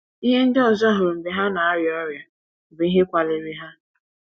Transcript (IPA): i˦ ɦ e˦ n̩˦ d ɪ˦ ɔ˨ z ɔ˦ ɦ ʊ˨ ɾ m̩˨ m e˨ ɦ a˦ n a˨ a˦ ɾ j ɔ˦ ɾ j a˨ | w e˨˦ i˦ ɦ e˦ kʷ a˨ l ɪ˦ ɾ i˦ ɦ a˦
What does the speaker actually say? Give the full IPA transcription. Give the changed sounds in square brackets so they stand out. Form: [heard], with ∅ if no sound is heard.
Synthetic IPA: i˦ ɦ e˦ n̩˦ d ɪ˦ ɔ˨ z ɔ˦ ɦ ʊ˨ ɾ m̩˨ [b] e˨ ɦ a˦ n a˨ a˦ ɾ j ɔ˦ ɾ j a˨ | [b] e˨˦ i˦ ɦ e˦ kʷ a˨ l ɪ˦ ɾ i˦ ɦ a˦